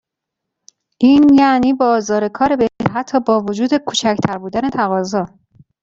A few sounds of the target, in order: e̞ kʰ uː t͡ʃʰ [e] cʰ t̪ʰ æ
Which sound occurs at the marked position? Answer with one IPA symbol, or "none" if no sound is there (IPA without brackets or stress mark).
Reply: æ